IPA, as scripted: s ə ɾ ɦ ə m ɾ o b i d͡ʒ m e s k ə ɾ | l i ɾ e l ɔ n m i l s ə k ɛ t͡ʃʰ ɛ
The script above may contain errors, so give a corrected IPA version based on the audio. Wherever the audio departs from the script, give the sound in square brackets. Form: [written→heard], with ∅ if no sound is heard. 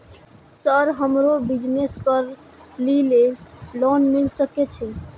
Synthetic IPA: s ə ɾ ɦ ə m ɾ o b i d͡ʒ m e s k ə ɾ | l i [ɾ→l] e l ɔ n m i l s ə k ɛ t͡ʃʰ ɛ